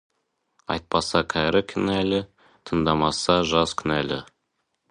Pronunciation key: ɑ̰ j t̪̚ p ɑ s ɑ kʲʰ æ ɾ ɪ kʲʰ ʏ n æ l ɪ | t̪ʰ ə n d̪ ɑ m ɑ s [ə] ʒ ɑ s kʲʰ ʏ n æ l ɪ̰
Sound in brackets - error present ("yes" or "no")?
yes